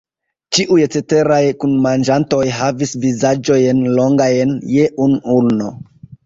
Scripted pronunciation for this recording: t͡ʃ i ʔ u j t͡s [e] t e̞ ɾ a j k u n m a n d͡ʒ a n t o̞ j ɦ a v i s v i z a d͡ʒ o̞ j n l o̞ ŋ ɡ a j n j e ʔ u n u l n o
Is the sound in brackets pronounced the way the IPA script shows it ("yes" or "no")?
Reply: yes